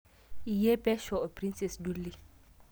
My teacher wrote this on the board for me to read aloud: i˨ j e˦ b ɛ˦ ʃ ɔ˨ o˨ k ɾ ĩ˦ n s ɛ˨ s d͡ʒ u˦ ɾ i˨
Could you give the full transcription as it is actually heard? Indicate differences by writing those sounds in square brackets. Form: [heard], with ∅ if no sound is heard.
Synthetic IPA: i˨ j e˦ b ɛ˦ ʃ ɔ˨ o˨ [p] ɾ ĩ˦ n s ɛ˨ s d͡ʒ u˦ [l] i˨